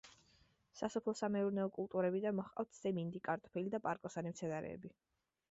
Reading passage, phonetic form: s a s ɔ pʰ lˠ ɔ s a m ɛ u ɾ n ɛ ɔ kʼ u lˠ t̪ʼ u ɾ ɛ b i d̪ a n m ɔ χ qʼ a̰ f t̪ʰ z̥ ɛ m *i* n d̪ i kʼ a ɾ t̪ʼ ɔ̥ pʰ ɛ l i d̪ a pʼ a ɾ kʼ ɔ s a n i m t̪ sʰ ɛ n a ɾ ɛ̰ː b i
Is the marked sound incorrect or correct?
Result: correct